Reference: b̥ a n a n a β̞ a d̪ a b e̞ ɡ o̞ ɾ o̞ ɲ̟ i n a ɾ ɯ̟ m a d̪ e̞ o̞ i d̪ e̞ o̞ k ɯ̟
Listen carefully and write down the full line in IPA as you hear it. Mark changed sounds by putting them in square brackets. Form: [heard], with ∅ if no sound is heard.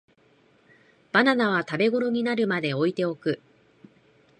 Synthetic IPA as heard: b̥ a n a n a β̞ a [t̪] a b e̞ ɡ o̞ ɾ o̞ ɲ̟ i n a ɾ ɯ̟ m a d̪ e̞ o̞ i [t̪] e̞ o̞ k ɯ̟